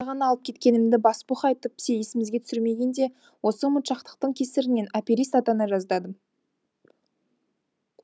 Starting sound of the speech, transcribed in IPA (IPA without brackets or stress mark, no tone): ʁ